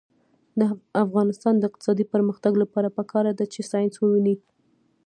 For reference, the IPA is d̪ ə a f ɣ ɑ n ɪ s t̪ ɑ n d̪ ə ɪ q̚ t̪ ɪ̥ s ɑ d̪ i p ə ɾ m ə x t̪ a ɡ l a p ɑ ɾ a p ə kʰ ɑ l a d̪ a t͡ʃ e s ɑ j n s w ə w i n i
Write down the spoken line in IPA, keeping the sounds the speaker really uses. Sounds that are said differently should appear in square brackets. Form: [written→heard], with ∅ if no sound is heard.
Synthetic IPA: d̪ ə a f ɣ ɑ n ɪ s t̪ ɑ n d̪ ə ɪ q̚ t̪ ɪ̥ s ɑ d̪ i p ə ɾ m ə x t̪ a ɡ l a p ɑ ɾ a p ə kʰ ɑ [l→ɾ] a d̪ a t͡ʃ e s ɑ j n s w ə w i n i